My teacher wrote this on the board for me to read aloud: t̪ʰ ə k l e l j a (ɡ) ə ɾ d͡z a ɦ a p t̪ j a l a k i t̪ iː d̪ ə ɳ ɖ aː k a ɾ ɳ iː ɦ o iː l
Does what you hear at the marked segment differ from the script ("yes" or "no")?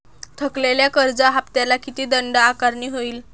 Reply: yes